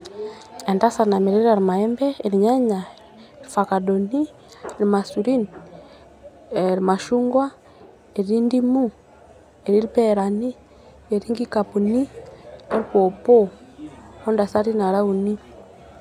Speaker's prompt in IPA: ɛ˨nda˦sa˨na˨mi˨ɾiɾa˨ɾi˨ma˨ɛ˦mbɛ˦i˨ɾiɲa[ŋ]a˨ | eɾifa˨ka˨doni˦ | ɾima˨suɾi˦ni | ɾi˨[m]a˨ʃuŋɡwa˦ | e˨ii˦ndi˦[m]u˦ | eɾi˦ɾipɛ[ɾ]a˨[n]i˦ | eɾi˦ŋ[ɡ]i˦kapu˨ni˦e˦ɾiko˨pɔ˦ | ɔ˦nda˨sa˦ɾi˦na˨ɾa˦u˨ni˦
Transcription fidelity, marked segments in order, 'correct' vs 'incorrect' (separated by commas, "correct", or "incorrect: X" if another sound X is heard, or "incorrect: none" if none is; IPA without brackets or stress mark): incorrect: ɲ, correct, correct, correct, correct, correct